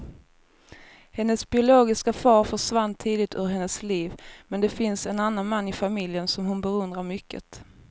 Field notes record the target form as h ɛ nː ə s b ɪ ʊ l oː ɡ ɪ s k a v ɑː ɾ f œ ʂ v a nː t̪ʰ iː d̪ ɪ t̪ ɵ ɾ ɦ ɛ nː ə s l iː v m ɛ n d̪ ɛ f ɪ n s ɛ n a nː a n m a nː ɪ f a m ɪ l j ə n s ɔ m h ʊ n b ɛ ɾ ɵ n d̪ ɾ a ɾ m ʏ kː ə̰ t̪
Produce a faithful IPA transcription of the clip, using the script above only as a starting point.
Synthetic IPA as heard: h ɛ nː ə s b ɪ ʊ l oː ɡ ɪ s k a f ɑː ɾ f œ ʂ v a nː t̪ʰ iː d̪ ɪ t̪ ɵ ɾ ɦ ɛ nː ə s l iː v m ɛ n d̪ ɛ f ɪ n s ɛ n a nː a n m a nː ɪ f a m ɪ l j ə n s ɔ m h ʊ n b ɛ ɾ ɵ n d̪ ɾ a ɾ m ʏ kː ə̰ t̪